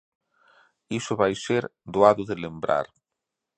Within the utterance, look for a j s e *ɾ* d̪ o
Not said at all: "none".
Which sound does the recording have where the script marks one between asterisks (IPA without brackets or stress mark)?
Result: ɾ